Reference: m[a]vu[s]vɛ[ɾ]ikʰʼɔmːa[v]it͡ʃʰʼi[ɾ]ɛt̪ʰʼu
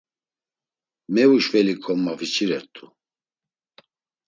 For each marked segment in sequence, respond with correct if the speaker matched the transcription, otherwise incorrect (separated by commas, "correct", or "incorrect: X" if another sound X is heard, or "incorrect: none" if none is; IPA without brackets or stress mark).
incorrect: ɛ, incorrect: ʃ, incorrect: l, correct, correct